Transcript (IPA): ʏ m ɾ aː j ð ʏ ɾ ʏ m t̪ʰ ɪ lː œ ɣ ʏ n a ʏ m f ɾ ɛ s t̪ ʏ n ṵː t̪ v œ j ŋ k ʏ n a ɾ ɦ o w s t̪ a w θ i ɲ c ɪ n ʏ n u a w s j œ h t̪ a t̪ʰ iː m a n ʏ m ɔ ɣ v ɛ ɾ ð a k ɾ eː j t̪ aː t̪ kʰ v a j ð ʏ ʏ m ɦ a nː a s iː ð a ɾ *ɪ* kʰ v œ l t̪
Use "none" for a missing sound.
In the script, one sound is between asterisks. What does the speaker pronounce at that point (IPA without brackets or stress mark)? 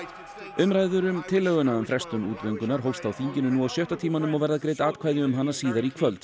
i